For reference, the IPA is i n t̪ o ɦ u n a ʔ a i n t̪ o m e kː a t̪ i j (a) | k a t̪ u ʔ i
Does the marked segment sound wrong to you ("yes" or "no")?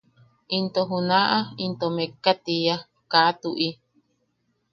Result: no